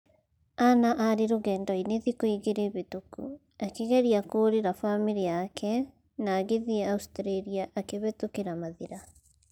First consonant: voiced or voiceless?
voiced